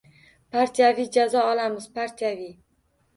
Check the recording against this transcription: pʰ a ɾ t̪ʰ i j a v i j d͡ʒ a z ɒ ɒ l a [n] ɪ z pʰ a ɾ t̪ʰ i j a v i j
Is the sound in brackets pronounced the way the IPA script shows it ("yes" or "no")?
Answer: no